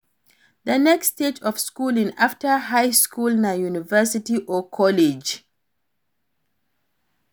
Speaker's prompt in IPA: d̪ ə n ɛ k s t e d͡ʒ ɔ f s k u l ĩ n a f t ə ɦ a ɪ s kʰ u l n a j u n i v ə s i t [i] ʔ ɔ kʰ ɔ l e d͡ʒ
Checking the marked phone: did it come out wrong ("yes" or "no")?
no